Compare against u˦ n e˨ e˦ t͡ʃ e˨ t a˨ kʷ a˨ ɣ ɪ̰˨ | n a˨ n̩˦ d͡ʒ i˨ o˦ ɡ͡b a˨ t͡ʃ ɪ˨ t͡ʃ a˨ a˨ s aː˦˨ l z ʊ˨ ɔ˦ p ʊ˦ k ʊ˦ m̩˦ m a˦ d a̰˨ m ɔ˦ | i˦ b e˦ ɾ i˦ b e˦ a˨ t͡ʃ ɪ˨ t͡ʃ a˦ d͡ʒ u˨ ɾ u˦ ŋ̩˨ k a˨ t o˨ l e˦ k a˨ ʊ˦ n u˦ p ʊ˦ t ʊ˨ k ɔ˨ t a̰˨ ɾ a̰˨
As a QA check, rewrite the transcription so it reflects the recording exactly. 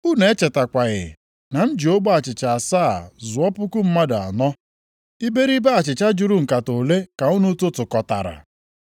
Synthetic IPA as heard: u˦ n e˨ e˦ t͡ʃ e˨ t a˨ kʷ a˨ ɣ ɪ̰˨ | n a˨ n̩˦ d͡ʒ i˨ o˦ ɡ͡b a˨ t͡ʃ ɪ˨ t͡ʃ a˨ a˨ s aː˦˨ z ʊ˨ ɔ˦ p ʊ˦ k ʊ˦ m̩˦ m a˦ d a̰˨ n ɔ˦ | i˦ b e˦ ɾ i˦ b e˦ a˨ t͡ʃ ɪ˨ t͡ʃ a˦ d͡ʒ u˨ ɾ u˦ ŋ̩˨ k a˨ t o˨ l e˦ k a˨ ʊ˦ n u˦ t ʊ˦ t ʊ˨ k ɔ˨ t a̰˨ ɾ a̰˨